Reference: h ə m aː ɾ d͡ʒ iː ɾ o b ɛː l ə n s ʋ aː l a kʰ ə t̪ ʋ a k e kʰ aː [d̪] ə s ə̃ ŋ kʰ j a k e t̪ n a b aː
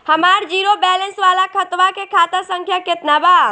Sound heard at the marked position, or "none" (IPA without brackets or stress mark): t̪